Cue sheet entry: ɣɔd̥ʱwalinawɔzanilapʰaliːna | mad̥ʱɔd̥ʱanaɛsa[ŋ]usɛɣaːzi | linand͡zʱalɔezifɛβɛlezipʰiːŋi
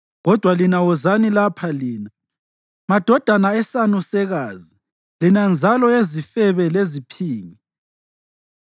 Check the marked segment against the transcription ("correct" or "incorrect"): incorrect